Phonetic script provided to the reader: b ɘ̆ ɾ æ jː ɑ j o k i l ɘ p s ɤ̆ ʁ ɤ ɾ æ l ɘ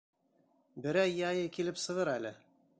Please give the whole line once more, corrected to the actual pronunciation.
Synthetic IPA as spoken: b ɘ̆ ɾ æ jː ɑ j ɤ k i l ɘ p s ɤ̆ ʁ ɤ ɾ æ l ɘ